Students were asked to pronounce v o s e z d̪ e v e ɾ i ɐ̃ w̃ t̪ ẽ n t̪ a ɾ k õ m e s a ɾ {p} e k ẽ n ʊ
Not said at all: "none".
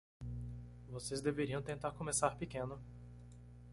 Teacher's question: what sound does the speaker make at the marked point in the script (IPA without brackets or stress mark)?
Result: p